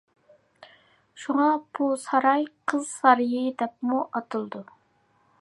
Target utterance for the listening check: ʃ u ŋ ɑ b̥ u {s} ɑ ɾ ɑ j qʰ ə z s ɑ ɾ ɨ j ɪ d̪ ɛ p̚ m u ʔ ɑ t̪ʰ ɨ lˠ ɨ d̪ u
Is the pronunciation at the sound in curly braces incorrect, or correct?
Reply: correct